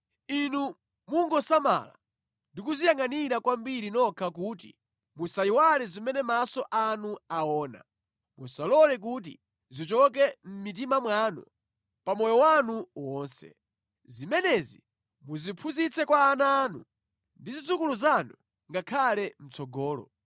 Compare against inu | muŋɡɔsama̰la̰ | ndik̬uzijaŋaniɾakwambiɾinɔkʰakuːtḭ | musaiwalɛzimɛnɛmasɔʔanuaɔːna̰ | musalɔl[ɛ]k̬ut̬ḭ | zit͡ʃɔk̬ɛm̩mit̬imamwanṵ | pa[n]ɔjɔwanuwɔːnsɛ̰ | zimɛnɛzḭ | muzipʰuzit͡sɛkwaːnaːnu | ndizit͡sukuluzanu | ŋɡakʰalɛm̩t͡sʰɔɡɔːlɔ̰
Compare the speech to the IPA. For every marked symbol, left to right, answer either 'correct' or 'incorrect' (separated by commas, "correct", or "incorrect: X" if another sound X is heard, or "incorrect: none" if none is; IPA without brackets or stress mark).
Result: correct, incorrect: m